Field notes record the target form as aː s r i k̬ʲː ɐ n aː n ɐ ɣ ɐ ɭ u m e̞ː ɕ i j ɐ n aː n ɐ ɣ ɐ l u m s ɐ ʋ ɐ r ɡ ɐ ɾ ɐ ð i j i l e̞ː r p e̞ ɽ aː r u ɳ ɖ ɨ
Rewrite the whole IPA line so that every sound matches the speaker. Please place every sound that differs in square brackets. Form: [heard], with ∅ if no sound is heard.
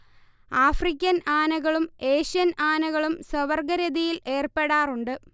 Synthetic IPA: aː [f] r i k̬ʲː ɐ n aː n ɐ ɣ ɐ ɭ u m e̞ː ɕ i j ɐ n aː n ɐ ɣ ɐ [ɭ] u m s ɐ ʋ ɐ r ɡ ɐ ɾ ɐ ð i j i l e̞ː r p e̞ ɽ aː r u ɳ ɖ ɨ